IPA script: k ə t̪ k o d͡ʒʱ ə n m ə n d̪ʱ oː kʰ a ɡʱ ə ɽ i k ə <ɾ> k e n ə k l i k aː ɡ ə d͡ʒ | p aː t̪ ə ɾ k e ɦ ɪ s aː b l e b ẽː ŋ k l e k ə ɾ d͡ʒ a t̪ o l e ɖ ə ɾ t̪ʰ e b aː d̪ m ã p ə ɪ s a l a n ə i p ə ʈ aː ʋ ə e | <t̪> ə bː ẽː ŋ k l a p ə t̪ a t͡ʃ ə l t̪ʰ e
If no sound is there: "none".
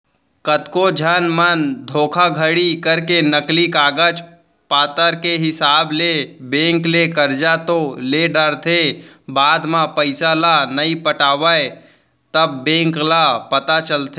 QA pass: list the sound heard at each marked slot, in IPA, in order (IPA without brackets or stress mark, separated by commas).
ɾ, t̪